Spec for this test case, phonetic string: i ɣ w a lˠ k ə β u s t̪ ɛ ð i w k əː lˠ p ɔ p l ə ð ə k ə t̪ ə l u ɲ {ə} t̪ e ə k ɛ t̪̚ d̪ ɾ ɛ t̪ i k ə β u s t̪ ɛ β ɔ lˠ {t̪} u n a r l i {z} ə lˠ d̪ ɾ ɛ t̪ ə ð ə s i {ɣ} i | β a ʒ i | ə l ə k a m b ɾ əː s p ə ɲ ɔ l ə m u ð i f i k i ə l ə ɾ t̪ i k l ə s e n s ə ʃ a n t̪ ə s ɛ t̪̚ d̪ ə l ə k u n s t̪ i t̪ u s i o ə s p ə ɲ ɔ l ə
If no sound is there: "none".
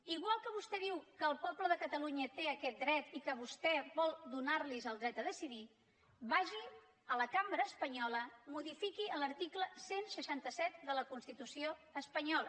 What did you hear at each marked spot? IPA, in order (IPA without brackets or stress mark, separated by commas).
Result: ə, d̪, z, ð